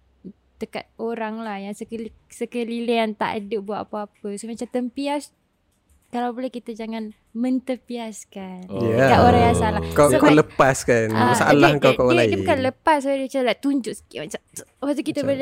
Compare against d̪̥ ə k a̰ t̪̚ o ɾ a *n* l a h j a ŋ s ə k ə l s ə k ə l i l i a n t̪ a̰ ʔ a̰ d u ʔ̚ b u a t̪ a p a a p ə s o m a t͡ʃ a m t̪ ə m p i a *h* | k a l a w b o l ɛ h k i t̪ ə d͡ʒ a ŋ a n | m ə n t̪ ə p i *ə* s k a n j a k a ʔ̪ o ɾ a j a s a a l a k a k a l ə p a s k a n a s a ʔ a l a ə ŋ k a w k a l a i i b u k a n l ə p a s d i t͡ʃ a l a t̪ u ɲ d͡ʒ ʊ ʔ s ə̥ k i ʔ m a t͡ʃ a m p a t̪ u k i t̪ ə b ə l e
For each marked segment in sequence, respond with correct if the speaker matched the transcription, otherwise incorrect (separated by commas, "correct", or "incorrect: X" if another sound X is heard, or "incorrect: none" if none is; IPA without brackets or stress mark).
incorrect: ŋ, incorrect: s, incorrect: a